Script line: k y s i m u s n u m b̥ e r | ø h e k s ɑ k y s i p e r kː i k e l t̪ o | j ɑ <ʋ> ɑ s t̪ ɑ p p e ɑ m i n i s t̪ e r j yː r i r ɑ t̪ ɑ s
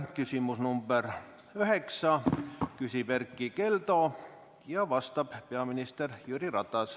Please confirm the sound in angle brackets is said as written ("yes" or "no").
yes